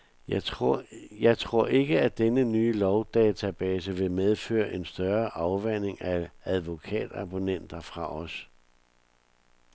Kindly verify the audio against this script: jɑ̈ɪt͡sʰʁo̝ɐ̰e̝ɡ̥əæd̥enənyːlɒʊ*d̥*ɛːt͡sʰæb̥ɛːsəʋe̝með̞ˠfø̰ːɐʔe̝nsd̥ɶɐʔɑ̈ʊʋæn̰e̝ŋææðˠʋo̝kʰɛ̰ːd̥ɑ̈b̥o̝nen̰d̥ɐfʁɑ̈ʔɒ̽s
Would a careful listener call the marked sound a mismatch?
no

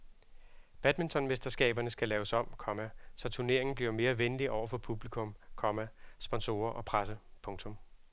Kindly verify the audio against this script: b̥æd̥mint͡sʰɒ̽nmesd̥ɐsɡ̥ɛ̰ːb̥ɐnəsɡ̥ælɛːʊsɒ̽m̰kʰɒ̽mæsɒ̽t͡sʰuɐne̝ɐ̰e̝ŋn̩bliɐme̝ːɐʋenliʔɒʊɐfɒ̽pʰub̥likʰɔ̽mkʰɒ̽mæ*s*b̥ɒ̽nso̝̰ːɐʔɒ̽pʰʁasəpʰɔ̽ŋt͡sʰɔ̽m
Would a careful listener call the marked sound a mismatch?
no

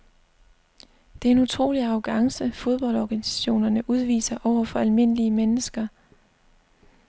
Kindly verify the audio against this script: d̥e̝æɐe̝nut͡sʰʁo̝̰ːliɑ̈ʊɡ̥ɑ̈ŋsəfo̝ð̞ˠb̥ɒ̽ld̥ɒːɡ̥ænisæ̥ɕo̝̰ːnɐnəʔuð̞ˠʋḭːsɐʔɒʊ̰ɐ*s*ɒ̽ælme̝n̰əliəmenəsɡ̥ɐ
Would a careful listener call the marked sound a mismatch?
yes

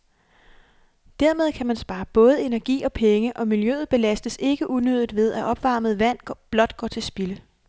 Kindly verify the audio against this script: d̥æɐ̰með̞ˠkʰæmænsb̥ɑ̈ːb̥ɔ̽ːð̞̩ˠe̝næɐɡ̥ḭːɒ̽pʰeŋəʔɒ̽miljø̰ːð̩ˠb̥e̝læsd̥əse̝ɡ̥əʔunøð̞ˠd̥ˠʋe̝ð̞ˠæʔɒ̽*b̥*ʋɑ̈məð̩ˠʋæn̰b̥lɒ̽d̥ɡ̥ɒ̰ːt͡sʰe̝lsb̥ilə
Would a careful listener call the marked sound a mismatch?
no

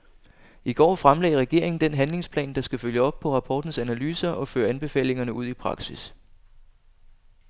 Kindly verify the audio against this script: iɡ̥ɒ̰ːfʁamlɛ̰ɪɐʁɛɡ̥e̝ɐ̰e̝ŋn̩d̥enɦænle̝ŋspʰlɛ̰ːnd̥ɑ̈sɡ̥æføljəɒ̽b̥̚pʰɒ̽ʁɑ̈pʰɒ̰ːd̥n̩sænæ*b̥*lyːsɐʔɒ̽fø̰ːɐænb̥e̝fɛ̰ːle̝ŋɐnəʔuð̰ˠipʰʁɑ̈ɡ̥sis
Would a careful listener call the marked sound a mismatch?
yes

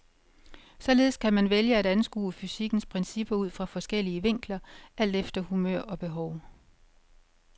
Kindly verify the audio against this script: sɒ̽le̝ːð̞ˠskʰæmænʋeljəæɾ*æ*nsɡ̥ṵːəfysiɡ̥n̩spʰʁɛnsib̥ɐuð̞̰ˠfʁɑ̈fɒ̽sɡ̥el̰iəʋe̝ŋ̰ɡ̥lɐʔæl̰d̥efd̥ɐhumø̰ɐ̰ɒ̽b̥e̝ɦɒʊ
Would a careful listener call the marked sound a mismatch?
no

